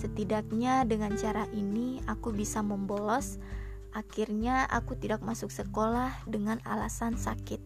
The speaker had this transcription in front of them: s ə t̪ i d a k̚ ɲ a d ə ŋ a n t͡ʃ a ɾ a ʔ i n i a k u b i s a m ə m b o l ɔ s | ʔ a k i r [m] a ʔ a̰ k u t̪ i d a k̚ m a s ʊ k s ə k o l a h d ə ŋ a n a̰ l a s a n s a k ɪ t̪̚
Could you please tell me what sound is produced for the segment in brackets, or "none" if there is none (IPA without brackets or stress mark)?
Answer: ɲ